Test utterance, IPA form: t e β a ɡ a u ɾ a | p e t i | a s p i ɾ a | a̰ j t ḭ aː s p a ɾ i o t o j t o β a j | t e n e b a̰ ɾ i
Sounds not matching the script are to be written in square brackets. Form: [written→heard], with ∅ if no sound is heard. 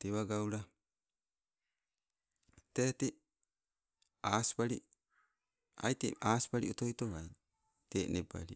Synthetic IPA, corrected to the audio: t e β a ɡ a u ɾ a | [p→t] e t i | a s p [i→a] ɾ [a→i] | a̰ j t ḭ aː s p a ɾ i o t o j t o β a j | t e n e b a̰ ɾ i

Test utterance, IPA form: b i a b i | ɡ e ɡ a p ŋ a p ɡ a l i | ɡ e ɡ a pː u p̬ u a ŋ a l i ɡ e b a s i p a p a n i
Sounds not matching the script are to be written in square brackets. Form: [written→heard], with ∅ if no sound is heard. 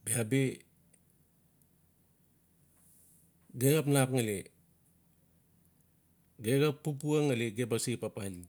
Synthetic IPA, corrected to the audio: b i a b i | ɡ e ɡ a p [ŋ→n] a p [ɡ→ŋ] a l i | ɡ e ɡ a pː u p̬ u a ŋ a l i ɡ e b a s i p a p a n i

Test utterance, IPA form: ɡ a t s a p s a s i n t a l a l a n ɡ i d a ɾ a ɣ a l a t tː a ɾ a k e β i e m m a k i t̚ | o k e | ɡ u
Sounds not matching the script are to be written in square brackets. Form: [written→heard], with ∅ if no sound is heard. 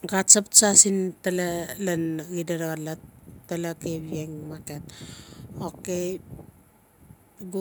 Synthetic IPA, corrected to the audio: ɡ a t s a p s a s i n t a l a l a n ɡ i d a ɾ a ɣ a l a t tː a [ɾ→l] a k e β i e [m→ŋ] m a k [i→e] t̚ | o k e | ɡ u

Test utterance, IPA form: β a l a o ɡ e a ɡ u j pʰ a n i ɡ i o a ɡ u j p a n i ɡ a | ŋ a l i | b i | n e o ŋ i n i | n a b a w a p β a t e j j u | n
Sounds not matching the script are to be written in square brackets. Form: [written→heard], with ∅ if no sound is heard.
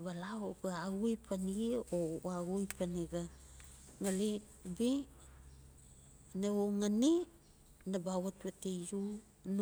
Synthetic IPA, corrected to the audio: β a l a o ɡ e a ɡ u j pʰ a n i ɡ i o a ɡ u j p a n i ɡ a | ŋ a l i | b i | n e o ŋ [i→a] n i | n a b a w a [p→t] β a t e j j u | n

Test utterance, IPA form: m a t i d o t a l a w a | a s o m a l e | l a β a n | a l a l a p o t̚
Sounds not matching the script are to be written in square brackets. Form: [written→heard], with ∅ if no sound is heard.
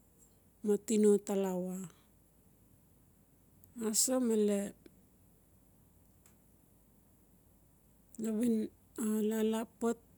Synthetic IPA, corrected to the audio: m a t i [d→n] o t a l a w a | a s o m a l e | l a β [a→i] n | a l a l a p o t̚

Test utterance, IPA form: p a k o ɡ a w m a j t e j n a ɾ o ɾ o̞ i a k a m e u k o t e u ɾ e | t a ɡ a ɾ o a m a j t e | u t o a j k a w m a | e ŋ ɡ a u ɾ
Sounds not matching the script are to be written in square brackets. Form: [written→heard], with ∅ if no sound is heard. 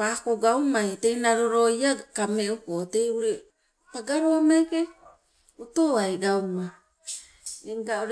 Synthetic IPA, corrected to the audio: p a k o ɡ a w m a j t e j n a ɾ o ɾ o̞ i a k a m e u k o t e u ɾ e | [t→p] a ɡ a ɾ o a m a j [t→k] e | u t o a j [k→ɡ] a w m a | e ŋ ɡ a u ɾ

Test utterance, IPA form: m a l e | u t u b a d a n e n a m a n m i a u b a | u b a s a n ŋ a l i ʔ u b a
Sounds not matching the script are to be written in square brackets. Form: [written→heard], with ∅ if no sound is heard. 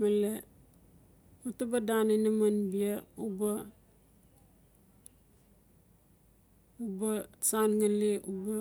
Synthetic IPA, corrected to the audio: m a l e | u t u b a d a n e n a m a n [m→b] i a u b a | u b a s a n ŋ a l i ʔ u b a

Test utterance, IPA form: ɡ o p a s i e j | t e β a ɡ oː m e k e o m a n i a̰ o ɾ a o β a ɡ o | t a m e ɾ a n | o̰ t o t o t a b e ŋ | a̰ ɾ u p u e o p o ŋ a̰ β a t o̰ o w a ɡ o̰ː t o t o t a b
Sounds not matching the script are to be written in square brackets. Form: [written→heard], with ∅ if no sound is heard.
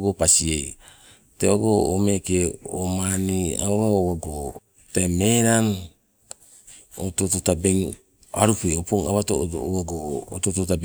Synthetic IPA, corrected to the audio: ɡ o p a s i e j | t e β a ɡ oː m e k e o m a n i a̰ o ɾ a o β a ɡ o | t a m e ɾ a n | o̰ t o t o t a b e ŋ | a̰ ɾ u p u e o p o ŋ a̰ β a t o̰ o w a ɡ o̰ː t o t o t a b

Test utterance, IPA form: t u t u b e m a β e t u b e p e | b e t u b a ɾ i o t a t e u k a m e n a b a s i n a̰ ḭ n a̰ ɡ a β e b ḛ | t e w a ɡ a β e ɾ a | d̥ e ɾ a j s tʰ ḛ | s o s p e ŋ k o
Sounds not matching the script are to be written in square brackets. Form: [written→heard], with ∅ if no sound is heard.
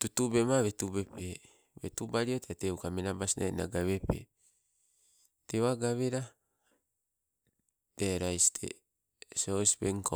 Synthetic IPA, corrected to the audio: t u t u b e m a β e t u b e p e | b e t u b a ɾ i o t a t e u k a m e n a b a s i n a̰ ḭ n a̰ ɡ a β e [b→p] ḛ | t e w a ɡ a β e ɾ a | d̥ e ɾ a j s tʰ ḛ | s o s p e ŋ k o

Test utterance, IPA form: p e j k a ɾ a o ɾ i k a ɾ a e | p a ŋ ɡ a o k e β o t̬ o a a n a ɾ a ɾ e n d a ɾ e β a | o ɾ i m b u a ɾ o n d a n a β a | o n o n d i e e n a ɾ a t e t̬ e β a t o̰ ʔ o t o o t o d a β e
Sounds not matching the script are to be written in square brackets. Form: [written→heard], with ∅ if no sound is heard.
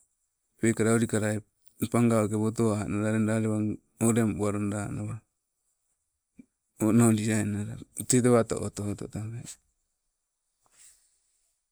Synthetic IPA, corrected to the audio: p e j k a ɾ a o ɾ i k a ɾ a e | p a ŋ ɡ a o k e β o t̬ o a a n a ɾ a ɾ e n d a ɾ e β a | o ɾ [i→e] m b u a ɾ o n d a n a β a | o n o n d i [e→a] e n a ɾ a t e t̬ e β a t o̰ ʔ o t o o t o [d→t] a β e

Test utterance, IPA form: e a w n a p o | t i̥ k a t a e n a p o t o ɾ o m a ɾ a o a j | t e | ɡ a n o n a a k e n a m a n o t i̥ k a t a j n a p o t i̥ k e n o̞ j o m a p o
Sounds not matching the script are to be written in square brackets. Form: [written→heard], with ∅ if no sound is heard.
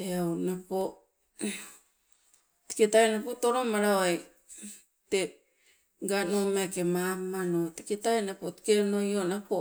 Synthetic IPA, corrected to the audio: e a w n a p o | t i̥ k [a→e] t a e n a p o t o ɾ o m a ɾ a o a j | t e | ɡ a n o [n→m] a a k e [n→m] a m a n o t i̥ k [a→e] t a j n a p o t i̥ k e n o̞ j o [m→n] a p o

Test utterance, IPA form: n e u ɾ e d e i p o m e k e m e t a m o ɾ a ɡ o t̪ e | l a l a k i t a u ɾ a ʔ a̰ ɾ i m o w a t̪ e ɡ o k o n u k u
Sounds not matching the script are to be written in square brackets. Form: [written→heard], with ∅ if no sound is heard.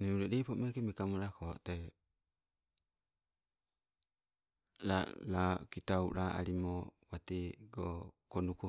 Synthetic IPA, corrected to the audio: n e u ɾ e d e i p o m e k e m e [t→k] a m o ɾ a [ɡ→k] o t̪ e | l a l a k i t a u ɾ a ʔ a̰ ɾ i m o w a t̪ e ɡ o k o n u k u

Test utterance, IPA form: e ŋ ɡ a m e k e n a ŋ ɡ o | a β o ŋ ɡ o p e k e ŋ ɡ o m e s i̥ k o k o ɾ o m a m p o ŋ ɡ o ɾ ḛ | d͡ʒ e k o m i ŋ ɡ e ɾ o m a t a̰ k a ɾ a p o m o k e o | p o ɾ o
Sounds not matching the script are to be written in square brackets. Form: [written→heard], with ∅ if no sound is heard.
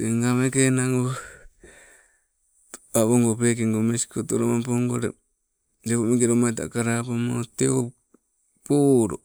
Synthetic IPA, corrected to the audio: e ŋ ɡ a m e k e n a ŋ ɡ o | a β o ŋ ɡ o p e k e ŋ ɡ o m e s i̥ k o [k→t] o ɾ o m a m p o ŋ ɡ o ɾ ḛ | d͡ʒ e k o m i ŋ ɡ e ɾ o m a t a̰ k a ɾ a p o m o [k→t] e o | p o ɾ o

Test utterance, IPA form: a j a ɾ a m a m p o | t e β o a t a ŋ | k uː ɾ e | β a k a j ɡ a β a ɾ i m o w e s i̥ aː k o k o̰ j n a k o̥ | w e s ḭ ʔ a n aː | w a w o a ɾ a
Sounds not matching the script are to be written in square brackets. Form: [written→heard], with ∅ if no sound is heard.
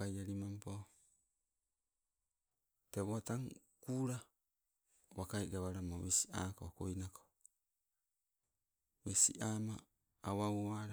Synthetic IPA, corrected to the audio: a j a ɾ [a→i] m a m p o | t e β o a t a ŋ | k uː ɾ [e→a] | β a k a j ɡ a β a ɾ [i→a] m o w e s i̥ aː k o k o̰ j n a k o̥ | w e s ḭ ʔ a [n→m] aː | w a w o a ɾ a

